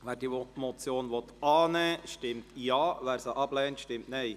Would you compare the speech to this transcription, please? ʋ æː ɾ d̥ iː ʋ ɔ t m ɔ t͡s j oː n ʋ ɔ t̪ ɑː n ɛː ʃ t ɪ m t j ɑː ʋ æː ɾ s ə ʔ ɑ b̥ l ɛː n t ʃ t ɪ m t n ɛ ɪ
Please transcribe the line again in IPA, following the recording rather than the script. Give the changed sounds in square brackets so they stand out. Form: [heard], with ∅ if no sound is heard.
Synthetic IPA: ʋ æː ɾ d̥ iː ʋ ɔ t m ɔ t͡s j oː n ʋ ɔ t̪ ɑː n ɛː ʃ t ɪ m t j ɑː ʋ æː ɾ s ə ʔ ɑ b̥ l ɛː n t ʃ t ɪ m t n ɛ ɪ